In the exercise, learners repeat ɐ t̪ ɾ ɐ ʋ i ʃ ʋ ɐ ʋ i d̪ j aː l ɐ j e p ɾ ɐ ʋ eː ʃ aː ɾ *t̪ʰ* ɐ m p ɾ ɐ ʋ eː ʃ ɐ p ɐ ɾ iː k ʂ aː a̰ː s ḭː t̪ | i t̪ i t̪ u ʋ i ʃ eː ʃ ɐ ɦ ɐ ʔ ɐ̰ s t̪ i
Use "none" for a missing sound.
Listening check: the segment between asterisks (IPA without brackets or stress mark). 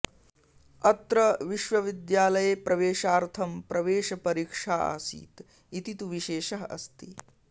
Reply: t̪ʰ